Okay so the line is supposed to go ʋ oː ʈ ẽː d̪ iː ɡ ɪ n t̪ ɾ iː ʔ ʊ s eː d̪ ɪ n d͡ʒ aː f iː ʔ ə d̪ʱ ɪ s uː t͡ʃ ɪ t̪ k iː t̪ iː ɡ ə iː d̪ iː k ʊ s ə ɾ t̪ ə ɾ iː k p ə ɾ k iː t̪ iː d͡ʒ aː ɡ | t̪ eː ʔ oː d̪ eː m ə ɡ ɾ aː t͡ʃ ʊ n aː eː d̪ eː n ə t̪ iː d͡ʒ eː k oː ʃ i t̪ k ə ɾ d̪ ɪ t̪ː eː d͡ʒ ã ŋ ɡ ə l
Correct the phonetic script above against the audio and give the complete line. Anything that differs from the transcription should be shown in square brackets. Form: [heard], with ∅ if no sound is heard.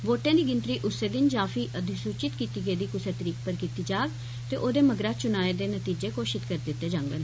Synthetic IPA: ʋ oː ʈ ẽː d̪ iː ɡ ɪ n t̪ ɾ iː ʔ ʊ s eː d̪ ɪ n d͡ʒ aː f iː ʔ ə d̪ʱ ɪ s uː t͡ʃ ɪ t̪ k iː t̪ iː ɡ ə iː d̪ iː k ʊ s ə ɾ t̪ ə ɾ iː k p ə ɾ k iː t̪ iː d͡ʒ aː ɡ | t̪ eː ʔ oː d̪ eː m ə ɡ ɾ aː t͡ʃ ʊ n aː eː d̪ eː n ə t̪ iː d͡ʒ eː k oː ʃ [ɪ] t̪ k ə ɾ d̪ ɪ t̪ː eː d͡ʒ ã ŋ ɡ ə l